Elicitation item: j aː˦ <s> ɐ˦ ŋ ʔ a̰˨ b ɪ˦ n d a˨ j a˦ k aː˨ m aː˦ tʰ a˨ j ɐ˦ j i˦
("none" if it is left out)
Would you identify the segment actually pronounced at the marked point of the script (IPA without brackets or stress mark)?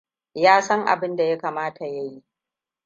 s